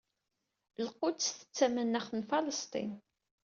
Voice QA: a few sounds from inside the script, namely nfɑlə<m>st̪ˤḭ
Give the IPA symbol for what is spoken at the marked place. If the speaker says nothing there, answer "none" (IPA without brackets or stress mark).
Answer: none